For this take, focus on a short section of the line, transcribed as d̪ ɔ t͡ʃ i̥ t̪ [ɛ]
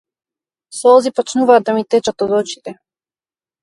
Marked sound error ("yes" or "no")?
no